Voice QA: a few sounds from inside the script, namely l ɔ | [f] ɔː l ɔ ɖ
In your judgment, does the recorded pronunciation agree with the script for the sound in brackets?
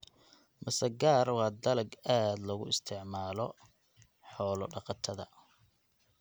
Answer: no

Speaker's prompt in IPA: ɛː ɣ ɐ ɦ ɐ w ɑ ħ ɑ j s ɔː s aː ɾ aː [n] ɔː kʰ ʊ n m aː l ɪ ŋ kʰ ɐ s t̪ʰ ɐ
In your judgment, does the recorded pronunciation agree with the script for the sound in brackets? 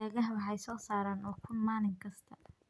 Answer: yes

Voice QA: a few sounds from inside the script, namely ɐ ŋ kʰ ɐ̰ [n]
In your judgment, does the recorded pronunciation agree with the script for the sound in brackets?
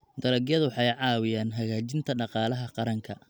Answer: no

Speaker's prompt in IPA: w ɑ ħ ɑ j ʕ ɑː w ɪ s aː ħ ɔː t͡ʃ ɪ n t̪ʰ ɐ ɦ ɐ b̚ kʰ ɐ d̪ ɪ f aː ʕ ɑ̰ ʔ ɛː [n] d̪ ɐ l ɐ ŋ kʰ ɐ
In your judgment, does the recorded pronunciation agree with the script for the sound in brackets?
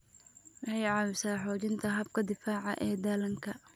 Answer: no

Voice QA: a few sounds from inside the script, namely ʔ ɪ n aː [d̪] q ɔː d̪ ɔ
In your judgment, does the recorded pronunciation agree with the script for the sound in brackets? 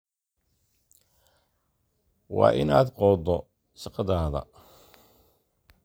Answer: yes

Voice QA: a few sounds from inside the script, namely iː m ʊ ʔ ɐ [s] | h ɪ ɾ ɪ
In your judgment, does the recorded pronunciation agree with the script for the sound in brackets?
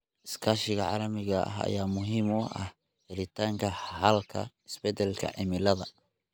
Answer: no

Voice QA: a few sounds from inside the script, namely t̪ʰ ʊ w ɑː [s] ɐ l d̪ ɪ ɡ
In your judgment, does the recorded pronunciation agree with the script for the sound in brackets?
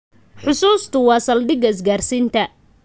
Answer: yes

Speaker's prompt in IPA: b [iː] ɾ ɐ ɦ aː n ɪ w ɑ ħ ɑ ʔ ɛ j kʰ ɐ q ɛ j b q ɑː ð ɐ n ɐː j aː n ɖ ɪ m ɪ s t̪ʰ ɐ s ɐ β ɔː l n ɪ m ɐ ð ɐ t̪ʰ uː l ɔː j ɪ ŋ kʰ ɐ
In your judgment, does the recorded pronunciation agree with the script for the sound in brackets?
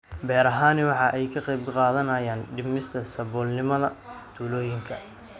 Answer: no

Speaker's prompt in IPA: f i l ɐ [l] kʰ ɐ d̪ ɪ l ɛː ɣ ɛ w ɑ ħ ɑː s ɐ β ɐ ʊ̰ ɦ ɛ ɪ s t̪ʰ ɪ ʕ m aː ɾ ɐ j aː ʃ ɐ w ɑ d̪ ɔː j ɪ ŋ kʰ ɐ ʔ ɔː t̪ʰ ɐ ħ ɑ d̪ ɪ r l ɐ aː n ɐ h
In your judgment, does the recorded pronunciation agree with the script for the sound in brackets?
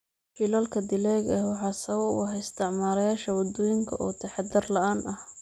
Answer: yes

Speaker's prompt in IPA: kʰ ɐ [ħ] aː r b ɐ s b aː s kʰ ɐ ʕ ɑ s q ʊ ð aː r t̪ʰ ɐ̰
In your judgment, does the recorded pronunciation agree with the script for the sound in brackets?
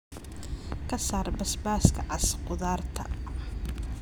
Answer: no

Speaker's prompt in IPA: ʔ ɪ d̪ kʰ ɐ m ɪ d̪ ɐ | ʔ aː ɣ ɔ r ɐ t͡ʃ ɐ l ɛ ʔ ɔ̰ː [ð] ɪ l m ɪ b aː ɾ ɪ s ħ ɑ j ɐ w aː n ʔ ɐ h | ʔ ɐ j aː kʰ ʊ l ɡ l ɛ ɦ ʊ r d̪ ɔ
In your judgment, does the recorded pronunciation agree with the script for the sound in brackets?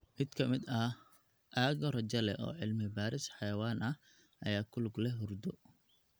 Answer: no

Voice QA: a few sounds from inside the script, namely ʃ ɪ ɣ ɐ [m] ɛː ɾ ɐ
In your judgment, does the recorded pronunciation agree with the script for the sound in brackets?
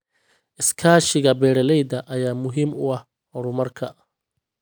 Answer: no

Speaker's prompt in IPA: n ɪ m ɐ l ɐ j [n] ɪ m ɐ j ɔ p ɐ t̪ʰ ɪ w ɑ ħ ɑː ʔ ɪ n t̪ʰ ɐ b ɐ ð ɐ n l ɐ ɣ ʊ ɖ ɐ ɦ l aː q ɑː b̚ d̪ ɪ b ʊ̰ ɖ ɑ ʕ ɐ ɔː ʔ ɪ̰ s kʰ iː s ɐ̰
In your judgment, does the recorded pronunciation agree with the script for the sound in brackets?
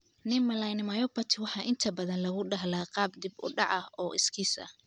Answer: yes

